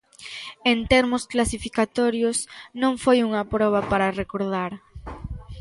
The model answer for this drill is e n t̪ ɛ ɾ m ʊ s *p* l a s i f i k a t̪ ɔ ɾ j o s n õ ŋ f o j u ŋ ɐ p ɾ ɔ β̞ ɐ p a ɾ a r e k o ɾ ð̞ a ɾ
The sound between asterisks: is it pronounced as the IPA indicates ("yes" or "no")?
no